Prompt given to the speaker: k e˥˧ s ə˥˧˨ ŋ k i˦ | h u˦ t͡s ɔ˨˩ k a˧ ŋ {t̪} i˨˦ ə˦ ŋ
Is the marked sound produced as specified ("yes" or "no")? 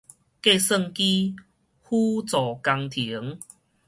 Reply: no